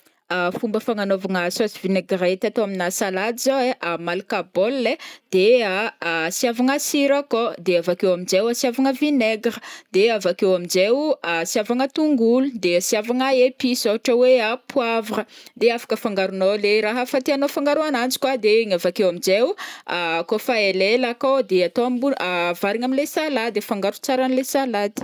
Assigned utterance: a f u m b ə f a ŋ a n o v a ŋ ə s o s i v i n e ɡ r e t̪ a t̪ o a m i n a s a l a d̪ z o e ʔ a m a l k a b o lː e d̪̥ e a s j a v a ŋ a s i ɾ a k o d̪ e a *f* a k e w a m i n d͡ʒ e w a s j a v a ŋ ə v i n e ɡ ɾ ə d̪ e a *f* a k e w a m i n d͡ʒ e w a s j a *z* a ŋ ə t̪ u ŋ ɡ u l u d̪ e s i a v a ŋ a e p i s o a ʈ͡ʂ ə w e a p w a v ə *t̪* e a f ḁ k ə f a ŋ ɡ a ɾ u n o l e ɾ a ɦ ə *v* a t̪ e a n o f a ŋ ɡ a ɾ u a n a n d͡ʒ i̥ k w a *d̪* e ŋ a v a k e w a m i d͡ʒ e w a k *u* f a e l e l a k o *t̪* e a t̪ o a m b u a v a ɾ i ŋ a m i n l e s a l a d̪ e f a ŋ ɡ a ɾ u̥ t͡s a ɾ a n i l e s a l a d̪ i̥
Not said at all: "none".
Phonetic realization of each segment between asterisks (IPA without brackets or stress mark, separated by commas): v, v, v, d̪, f, d̪, o, d̪